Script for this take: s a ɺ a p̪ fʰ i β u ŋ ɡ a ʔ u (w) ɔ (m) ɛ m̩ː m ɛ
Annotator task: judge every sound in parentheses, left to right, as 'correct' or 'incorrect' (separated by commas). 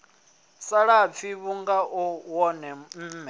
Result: correct, incorrect